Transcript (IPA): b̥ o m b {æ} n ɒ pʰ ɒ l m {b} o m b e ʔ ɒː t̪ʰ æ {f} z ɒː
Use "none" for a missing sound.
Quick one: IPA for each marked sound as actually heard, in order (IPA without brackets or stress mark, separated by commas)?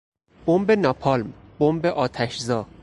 e, b, ʃ